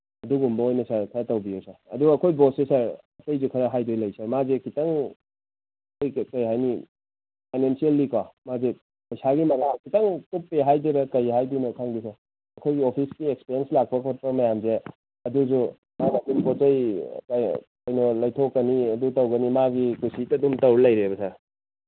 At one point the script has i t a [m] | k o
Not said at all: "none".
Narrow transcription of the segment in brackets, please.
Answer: ŋ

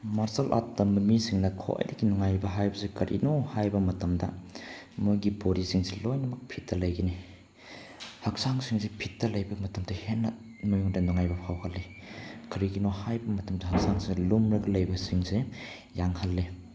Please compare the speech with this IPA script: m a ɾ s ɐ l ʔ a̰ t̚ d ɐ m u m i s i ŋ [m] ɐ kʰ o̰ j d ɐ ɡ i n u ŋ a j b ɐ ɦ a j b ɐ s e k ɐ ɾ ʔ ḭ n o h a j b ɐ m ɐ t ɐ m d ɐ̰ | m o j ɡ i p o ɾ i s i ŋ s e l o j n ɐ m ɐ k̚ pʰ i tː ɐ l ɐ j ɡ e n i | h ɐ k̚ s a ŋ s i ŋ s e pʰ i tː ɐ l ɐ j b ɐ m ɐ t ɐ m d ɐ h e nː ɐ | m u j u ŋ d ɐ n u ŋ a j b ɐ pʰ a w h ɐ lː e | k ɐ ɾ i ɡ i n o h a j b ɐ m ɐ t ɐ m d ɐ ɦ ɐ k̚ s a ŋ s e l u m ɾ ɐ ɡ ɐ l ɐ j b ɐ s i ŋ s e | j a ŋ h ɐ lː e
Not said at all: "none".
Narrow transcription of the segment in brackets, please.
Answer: n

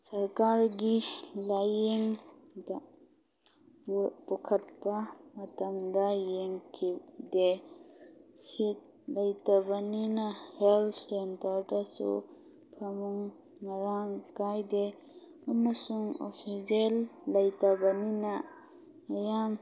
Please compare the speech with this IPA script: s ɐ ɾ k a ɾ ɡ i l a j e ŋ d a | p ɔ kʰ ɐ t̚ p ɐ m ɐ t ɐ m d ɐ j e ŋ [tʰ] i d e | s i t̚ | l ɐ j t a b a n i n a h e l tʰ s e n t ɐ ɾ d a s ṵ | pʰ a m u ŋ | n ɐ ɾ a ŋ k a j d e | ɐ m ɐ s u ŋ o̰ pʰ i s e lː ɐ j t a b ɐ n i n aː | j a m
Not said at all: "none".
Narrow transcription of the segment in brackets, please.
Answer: kʰ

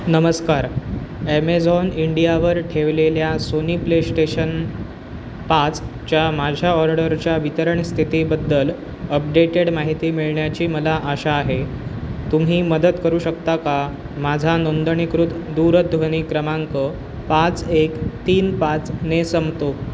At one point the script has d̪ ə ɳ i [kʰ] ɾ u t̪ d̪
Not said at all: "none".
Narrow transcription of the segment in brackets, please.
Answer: k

